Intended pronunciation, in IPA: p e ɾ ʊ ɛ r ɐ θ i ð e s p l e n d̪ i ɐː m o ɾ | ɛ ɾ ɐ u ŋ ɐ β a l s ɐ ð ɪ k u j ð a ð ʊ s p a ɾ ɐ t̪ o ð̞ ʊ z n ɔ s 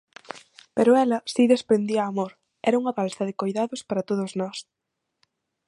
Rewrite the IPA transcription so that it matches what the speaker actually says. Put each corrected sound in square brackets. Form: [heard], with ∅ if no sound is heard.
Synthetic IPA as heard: p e ɾ ʊ ɛ [l] ɐ [s] i ð e s p [ɾ] e n d̪ i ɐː m o ɾ | ɛ ɾ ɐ u ŋ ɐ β a l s ɐ ð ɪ k [o] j ð a ð ʊ s p a ɾ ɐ t̪ o ð̞ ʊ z n ɔ s